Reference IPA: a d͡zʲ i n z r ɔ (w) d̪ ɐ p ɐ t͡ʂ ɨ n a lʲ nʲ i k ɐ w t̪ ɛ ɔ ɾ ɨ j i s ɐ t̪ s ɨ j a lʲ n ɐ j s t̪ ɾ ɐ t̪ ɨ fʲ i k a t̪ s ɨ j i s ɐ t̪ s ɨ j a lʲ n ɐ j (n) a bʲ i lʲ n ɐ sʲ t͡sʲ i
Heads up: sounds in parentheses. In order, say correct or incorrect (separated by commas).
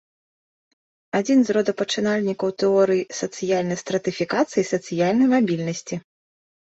incorrect, incorrect